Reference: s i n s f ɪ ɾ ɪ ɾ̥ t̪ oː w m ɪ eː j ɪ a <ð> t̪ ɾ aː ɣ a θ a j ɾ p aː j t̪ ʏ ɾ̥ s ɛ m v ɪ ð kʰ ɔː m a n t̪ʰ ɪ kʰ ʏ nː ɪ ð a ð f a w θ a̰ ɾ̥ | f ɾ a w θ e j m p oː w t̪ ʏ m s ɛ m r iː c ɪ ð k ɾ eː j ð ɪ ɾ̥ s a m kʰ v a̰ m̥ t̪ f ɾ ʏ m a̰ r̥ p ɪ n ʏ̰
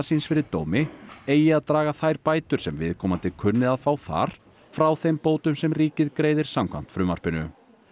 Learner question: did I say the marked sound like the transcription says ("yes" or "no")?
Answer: yes